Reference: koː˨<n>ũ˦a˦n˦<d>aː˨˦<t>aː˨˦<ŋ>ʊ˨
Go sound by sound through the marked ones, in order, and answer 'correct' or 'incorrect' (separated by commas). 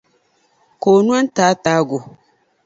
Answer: correct, incorrect, correct, incorrect